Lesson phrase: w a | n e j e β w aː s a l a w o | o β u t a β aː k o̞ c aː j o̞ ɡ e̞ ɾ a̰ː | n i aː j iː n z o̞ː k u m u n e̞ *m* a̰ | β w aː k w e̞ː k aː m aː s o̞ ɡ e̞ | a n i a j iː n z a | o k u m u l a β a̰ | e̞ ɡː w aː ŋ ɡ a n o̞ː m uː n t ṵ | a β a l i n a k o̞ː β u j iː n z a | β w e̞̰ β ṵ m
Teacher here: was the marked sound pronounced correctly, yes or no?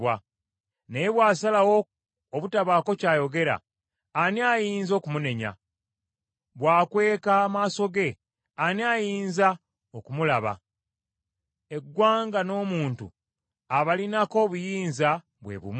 no